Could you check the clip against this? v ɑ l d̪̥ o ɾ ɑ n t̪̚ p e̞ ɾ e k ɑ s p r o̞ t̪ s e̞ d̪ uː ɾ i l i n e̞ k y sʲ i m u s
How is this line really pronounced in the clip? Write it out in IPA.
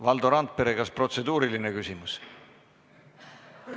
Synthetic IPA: v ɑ l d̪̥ o ɾ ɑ n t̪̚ p e̞ ɾ e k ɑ s p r o̞ t̪ s e̞ d̪ uː ɾ i l i n e̞ k y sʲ i m u s